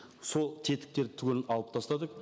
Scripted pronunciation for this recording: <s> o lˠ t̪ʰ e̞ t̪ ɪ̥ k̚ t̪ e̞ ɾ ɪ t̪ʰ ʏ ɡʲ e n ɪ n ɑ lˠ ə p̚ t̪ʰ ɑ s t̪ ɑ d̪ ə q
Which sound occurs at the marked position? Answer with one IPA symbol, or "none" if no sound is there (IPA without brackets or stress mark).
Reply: s